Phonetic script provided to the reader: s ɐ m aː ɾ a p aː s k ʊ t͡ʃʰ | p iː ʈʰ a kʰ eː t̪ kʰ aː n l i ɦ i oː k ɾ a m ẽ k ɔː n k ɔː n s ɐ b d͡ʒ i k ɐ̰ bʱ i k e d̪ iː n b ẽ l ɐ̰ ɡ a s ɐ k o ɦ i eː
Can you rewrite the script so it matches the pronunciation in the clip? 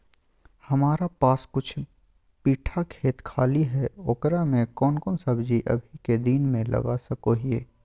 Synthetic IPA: h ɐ m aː ɾ a p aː s k ʊ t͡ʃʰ | p iː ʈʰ a kʰ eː t̪ kʰ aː l i ɦ ɛ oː k ɾ a m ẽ k ɔː n k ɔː n s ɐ b d͡ʒ i ʔ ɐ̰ bʱ i k e d̪ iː n m ẽ l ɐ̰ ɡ a s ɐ k o ɦ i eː

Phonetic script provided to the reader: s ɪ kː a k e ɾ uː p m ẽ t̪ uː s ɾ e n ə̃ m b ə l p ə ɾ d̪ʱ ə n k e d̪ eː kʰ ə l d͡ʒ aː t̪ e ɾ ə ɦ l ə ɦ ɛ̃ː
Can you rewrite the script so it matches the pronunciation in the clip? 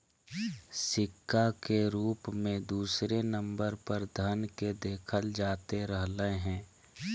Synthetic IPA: s ɪ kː a k e ɾ uː p m ẽ d̪ uː s ɾ e n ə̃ m b ə ɾ p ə ɾ d̪ʱ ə n k e d̪ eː kʰ ə l d͡ʒ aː t̪ e ɾ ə ɦ l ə ɦ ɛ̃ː

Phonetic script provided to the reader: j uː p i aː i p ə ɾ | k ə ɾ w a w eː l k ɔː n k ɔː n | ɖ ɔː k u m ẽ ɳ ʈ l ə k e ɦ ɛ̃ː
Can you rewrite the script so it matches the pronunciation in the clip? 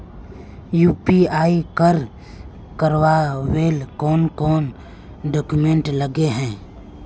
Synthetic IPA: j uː p i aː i k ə ɾ | k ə ɾ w a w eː l k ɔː n k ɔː n | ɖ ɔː k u m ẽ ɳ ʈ l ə ɡ e ɦ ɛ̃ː

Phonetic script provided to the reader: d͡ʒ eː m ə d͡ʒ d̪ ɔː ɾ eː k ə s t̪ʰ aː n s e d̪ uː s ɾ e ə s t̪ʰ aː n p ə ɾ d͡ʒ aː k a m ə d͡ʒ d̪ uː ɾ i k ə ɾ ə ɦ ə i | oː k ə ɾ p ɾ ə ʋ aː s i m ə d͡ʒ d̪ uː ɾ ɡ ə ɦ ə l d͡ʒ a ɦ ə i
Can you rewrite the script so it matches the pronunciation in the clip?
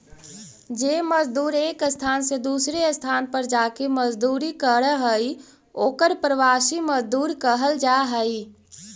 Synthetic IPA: d͡ʒ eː m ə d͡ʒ d̪ uː ɾ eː k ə s t̪ʰ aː n s e d̪ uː s ɾ e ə s t̪ʰ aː n p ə ɾ d͡ʒ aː k e m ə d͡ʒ d̪ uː ɾ i k ə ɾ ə ɦ ə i | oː k ə ɾ p ɾ ə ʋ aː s i m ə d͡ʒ d̪ uː ɾ k ə ɦ ə l d͡ʒ a ɦ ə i

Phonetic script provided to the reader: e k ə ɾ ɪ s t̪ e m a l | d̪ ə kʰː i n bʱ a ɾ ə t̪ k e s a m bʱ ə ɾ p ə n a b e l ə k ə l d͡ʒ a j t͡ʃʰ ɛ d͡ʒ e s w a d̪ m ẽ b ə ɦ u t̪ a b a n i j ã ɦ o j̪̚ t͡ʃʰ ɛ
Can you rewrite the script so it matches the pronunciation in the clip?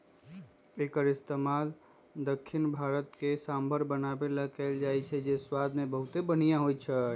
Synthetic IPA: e k ə ɾ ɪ s t̪ e m a l | d̪ ə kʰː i n bʱ a ɾ ə t̪ k e s a m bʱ ə ɾ b ə n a b e l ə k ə l d͡ʒ a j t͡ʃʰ ɛ d͡ʒ e s w a d̪ m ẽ b ə ɦ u t̪ e b ə n i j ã ɦ o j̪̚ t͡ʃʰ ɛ

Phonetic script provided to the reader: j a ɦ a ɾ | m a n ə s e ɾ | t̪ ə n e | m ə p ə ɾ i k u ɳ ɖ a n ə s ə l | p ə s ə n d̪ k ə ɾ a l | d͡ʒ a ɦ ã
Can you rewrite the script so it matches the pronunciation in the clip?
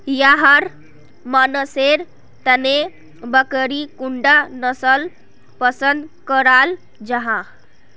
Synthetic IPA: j a ɦ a ɾ | m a n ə s e ɾ | t̪ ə n e | b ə k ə ɾ i k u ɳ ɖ a n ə s ə l | p ə s ə n d̪ k ə ɾ a l | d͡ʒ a ɦ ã

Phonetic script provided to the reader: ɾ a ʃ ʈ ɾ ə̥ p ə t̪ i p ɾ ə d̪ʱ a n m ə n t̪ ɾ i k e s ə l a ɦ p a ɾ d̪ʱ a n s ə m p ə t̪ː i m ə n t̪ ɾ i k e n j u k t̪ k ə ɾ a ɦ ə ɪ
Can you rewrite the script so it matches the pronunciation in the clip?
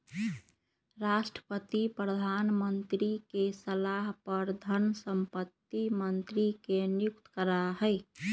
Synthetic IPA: ɾ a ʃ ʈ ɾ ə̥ p ə t̪ i p ɾ ə d̪ʱ a n m ə n t̪ ɾ i k e s ə l a ɦ p ə ɾ d̪ʱ ə n s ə m p ə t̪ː i m ə n t̪ ɾ i k e n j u k t̪ k ə ɾ a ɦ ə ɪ

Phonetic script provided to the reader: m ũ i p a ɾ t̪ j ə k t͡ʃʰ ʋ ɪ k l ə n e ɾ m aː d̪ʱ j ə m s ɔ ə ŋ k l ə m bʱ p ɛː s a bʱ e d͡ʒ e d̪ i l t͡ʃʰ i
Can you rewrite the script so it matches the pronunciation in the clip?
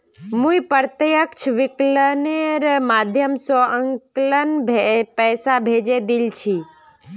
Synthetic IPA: m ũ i p ə ɾ t̪ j ə k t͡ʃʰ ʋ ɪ k l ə n e ɾ m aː d̪ʱ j ə m s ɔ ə ŋ k l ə n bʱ p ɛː s a bʱ e d͡ʒ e d̪ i l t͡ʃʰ i

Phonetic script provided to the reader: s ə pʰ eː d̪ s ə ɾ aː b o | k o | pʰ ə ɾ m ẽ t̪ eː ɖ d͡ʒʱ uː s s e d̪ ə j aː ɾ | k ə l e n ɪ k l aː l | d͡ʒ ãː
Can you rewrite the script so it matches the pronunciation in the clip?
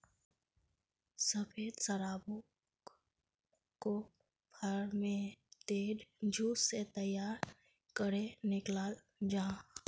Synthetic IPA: s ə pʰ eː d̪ s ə ɾ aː b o | k o | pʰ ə ɾ m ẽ t̪ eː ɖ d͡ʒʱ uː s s e t̪ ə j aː ɾ | k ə ɾ e n ɪ k l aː l | d͡ʒ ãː

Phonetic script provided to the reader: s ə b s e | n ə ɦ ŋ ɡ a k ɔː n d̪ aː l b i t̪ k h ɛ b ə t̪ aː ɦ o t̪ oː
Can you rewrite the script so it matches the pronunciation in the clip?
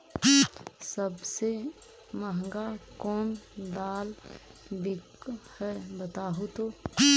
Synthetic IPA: s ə b s e | m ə ɦ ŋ ɡ a k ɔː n d̪ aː l b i k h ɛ b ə t̪ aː ɦ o t̪ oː

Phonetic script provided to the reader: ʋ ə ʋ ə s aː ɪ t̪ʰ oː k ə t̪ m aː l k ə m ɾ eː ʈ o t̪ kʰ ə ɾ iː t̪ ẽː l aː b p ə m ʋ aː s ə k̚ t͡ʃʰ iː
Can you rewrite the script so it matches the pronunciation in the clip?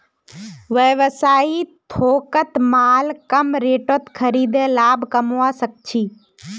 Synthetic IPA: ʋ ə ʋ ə s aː i t̪ʰ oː k ə t̪ m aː l k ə m ɾ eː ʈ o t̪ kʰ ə ɾ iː d̪ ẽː l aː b k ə m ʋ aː s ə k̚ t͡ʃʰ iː

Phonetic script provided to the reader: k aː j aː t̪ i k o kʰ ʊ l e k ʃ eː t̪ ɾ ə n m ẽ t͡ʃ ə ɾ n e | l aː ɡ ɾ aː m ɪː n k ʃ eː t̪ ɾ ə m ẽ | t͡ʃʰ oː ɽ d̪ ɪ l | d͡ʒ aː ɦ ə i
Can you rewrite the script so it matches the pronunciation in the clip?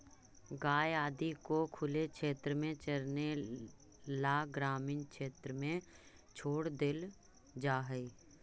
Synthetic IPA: ɡ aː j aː d̪ i k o kʰ ʊ l e k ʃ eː t̪ ɾ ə m ẽ t͡ʃ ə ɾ n e | l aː ɡ ɾ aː m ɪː n k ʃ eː t̪ ɾ ə m ẽ | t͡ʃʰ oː ɽ d̪ ɪ l | d͡ʒ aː ɦ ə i

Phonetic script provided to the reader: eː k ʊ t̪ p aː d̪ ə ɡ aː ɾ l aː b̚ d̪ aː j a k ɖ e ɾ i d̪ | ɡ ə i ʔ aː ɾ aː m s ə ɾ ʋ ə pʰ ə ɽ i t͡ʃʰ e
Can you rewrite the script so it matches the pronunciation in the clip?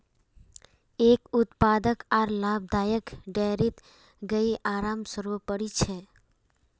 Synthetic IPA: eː k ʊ t̪ p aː d̪ ə k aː ɾ l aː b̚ d̪ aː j ə k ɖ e ɾ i t̪ | ɡ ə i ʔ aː ɾ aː m s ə ɾ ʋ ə p ə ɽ i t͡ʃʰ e

